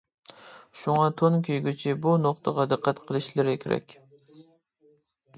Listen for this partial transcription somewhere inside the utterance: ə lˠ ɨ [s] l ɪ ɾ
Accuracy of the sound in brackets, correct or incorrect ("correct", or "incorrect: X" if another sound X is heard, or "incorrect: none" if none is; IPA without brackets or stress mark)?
incorrect: ʃ